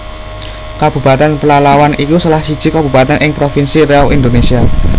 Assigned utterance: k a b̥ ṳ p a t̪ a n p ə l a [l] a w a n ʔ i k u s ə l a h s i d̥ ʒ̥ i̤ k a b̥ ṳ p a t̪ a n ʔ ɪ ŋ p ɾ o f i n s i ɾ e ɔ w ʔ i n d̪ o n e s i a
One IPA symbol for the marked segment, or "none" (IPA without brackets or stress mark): l